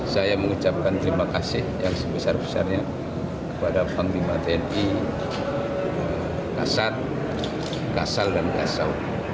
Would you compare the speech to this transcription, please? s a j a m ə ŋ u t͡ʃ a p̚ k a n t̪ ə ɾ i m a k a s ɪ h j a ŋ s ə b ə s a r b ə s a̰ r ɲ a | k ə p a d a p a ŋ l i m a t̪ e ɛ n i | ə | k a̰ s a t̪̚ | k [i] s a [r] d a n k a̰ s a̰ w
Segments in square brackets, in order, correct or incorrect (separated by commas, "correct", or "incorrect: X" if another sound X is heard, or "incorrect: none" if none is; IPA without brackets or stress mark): incorrect: a, incorrect: l